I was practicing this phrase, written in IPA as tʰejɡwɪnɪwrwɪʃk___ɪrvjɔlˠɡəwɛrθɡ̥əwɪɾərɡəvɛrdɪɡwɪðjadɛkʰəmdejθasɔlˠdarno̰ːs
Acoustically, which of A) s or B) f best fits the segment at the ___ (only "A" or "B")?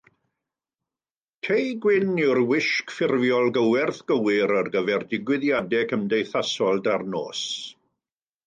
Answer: B